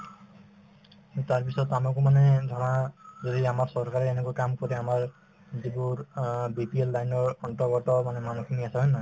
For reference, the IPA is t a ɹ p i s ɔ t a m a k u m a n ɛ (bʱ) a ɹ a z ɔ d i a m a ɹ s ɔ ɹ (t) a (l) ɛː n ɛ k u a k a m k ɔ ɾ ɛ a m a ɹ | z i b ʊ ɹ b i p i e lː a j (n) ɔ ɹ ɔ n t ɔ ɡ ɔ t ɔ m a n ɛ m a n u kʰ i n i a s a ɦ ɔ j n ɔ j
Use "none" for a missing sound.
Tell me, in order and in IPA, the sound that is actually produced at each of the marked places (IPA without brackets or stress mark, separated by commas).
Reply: dʱ, k, ɹ, n